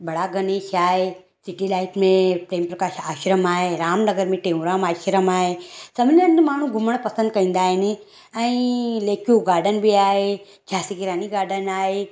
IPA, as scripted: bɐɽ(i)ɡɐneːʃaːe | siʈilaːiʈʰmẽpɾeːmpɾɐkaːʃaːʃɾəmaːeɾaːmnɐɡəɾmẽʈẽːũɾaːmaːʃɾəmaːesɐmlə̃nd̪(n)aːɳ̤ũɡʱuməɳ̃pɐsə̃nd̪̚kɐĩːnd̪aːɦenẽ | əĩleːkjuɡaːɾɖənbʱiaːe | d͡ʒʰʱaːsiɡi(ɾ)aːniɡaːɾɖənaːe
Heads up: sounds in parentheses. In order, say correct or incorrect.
incorrect: a, incorrect: m, correct

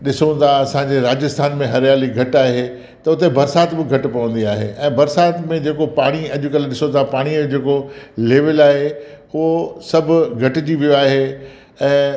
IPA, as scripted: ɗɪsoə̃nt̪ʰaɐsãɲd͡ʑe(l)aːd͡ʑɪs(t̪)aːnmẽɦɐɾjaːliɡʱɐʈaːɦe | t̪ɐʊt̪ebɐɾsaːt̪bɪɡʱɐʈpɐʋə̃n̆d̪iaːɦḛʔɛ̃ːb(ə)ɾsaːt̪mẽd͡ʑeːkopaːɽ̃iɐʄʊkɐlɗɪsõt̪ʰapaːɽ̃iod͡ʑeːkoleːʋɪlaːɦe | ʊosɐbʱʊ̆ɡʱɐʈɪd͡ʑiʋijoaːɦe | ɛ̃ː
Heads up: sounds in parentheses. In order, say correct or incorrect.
incorrect: ɾ, incorrect: t̪ʰ, incorrect: ɐ

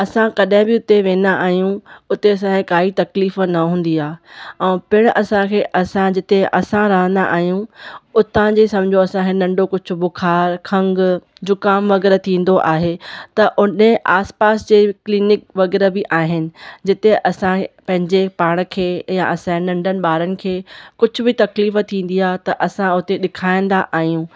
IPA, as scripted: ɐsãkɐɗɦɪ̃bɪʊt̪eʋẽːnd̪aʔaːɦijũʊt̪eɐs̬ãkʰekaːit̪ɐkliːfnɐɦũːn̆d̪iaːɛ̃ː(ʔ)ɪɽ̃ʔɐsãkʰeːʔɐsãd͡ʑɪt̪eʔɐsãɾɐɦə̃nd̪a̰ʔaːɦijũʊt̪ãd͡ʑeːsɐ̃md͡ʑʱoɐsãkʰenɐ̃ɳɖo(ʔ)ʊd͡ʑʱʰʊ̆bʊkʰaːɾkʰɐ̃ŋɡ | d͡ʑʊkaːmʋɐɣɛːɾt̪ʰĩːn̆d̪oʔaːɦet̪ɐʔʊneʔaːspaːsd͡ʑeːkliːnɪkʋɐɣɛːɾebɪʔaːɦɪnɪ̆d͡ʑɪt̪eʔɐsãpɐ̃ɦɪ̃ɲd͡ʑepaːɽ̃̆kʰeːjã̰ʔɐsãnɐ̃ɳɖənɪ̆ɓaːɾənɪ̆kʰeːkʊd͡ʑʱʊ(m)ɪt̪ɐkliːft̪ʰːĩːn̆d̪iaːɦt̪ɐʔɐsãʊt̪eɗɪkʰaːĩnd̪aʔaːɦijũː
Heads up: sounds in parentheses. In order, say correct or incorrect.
incorrect: p, incorrect: k, incorrect: b

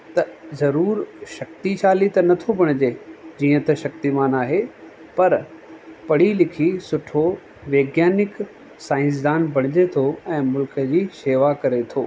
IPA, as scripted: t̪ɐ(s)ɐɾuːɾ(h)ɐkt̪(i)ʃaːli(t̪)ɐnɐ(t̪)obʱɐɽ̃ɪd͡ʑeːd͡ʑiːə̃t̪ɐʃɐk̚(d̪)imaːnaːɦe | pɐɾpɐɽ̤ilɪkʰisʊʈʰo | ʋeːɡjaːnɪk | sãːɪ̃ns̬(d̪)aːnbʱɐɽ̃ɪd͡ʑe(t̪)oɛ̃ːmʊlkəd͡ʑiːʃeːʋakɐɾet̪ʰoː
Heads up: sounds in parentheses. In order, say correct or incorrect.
incorrect: z, incorrect: ʃ, correct, correct, incorrect: t̪ʰ, incorrect: t̪, correct, incorrect: t̪ʰ

